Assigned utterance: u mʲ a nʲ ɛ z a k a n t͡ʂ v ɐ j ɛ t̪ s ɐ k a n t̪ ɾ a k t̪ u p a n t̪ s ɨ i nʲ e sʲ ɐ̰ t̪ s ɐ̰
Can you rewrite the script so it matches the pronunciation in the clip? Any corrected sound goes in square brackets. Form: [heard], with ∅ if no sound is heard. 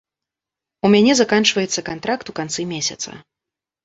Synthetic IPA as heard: u mʲ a nʲ ɛ z a k a n t͡ʂ v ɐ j ɛ t̪ [sː] ɐ k a n t̪ ɾ a k t̪ u [k] a n t̪ s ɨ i [mʲ] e sʲ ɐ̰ t̪ s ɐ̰